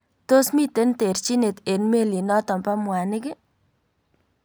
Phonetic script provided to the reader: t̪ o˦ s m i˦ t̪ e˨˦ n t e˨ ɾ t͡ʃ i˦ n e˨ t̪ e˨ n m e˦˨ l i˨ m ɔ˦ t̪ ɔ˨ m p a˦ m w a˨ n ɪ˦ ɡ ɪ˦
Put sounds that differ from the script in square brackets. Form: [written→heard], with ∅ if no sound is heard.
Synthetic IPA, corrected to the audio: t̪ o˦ s m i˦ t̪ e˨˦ n t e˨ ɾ t͡ʃ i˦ n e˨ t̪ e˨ n m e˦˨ l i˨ [m→n] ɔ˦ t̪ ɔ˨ m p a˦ m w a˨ n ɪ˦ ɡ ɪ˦